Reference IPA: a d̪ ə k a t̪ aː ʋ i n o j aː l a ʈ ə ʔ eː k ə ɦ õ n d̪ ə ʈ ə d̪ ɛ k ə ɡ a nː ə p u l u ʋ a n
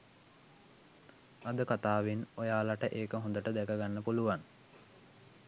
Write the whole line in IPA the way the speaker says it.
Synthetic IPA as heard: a d̪ ə k a t̪ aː ʋ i n o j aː l a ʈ ə ʔ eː k ə ɦ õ n d̪ ə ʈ ə d̪ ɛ k ə ɡ a nː ə p u l u ʋ a n